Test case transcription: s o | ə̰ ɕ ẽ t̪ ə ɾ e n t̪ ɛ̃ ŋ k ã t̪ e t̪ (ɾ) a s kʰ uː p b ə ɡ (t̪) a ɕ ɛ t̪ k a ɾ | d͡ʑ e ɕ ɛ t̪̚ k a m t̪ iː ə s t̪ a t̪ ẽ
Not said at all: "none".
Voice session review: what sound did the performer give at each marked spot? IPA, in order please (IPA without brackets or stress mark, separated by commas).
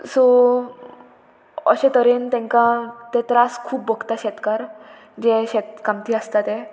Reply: ɾ, t̪